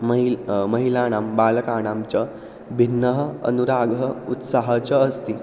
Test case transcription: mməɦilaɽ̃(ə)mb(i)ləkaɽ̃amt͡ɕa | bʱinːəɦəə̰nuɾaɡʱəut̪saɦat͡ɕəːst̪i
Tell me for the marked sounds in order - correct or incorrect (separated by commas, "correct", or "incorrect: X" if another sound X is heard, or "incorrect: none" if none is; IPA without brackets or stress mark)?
incorrect: a, incorrect: a